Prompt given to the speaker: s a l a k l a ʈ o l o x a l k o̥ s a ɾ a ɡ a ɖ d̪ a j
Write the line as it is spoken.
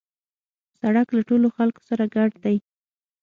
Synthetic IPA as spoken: s a ɽ a k l a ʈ o l o x a l k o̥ s a ɾ a ɡ a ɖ d̪ a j